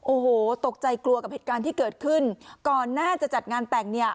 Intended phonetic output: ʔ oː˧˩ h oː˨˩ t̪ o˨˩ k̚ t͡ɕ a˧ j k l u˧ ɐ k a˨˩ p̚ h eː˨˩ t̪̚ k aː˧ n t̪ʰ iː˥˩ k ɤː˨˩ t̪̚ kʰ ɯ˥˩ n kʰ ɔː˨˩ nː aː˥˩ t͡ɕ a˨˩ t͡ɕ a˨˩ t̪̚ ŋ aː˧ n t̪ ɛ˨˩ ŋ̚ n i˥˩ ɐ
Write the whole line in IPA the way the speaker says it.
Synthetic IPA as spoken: ʔ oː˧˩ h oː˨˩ t̪ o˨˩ k̚ t͡ɕ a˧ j k l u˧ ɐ k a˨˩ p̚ h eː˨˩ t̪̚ k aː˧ n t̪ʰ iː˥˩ k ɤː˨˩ t̪̚ kʰ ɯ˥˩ n k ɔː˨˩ nː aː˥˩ t͡ɕ a˨˩ t͡ɕ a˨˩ t̪̚ ŋ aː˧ n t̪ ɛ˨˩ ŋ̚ n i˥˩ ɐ